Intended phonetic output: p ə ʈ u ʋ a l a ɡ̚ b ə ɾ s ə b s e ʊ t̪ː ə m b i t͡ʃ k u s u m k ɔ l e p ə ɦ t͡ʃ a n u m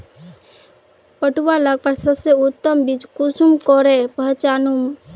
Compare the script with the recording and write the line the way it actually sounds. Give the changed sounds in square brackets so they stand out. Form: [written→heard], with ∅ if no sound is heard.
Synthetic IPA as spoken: p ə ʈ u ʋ a l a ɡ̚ [b→p] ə ɾ s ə b s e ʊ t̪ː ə m b i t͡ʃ k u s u m k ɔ [l→ɾ] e p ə ɦ t͡ʃ a n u m